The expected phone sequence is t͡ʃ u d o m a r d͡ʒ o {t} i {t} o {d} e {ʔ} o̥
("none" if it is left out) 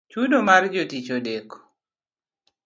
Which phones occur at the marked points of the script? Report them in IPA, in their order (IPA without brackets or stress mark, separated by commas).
t, t͡ʃ, d, k